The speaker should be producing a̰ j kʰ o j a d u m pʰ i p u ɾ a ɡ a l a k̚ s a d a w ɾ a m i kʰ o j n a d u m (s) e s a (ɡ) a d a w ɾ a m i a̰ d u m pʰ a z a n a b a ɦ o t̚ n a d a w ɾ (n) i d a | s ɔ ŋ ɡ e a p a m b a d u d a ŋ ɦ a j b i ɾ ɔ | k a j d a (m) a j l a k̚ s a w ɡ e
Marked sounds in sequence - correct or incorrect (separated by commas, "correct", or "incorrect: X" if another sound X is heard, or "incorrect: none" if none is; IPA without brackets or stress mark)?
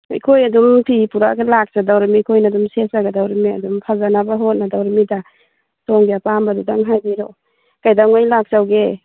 correct, correct, incorrect: m, incorrect: ŋ